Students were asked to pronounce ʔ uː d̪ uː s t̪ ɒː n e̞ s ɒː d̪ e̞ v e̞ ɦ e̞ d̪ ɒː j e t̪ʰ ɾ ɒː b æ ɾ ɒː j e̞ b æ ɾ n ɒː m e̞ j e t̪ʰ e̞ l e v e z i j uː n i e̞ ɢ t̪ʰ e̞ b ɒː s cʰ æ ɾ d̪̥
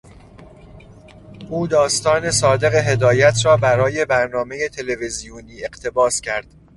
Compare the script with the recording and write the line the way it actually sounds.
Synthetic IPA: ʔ uː d̪ ɒː s t̪ ɒː n e̞ s ɒː d̪ e̞ ɣ e̞ ɦ e̞ d̪ ɒː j æ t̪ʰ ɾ ɒː b æ ɾ ɒː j e̞ b æ ɾ n ɒː m e̞ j e t̪ʰ e̞ l e v e z i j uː n iː e̞ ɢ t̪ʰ e̞ b ɒː s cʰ æ ɾ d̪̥